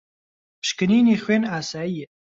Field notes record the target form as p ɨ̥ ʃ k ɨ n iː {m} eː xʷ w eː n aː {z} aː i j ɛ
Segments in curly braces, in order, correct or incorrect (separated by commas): incorrect, incorrect